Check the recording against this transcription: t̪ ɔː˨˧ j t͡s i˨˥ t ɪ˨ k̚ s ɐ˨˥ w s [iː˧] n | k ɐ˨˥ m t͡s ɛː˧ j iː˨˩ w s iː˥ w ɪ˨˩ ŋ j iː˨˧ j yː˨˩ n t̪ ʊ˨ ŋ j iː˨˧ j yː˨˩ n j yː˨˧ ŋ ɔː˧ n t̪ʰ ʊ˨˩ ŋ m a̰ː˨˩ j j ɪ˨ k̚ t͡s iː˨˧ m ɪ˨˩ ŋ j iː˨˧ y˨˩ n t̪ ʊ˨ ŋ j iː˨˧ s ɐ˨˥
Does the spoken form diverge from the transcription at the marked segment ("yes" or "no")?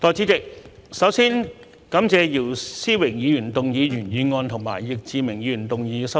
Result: yes